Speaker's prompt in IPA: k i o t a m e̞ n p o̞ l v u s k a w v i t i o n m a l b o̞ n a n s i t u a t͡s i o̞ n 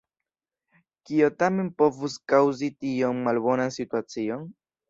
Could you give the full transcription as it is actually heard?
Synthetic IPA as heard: k i o t a m e̞ n p o̞ v u s k a w z i t i o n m a l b o̞ n a n s i t u a t͡s i o̞ n